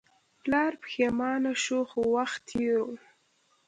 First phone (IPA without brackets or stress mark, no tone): p